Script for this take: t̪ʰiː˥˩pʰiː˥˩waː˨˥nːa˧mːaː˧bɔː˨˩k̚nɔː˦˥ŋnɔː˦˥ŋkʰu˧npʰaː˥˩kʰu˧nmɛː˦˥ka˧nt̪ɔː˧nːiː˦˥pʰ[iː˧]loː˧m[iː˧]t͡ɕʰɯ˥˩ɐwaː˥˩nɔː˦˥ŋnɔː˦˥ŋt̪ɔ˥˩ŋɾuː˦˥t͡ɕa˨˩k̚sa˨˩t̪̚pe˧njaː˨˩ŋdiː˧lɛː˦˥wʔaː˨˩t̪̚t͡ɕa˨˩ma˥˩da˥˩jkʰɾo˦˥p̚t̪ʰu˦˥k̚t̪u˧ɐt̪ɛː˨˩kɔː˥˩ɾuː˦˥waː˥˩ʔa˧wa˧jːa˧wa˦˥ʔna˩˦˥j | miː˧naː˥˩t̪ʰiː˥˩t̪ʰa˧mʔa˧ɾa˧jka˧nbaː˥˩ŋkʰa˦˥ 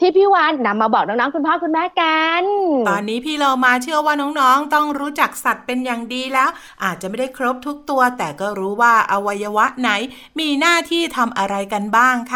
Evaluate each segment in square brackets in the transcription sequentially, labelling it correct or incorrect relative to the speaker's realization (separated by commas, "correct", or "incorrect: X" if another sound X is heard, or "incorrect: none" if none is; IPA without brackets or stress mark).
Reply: incorrect: iː˥˩, incorrect: aː˧